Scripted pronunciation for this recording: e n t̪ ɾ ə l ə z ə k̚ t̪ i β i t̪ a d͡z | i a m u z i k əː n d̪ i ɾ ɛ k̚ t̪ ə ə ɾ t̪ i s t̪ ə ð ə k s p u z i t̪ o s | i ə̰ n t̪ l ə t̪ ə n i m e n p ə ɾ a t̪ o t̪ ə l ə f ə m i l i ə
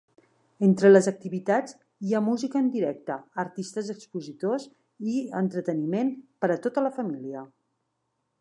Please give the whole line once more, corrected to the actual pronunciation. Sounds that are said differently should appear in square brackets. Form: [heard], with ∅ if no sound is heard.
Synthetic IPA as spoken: e n t̪ ɾ ə l ə z ə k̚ t̪ i β i t̪ a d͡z | i a m u z i k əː n d̪ i ɾ ɛ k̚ t̪ ə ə ɾ t̪ i s t̪ ə [z] ə k s p u z i t̪ o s | i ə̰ n t̪ [ɾ] ə t̪ ə n i m e n p ə ɾ [ə] t̪ o t̪ ə l ə f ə m i l i ə